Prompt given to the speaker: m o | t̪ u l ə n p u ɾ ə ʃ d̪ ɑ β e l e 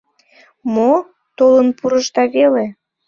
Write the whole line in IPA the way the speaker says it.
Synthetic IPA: m o | t̪ o l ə n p u ɾ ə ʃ t̪ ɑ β e l e